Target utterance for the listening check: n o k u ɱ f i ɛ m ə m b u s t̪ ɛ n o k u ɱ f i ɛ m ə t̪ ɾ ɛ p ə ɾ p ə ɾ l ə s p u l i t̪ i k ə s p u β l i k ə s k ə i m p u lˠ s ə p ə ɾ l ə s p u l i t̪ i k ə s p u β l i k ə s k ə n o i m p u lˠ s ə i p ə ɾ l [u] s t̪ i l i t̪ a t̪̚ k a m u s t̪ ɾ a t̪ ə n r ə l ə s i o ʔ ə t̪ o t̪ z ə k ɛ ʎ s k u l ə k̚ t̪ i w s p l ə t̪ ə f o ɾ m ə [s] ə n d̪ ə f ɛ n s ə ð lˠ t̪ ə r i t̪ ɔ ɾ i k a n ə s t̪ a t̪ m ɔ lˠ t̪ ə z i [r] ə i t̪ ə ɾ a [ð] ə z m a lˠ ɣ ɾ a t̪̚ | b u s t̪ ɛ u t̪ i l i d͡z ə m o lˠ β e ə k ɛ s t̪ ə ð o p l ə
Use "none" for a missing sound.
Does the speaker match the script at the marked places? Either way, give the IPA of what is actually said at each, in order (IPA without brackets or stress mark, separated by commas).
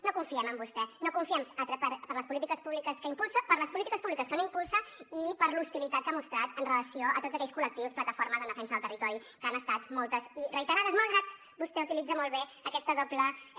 u, z, r, ð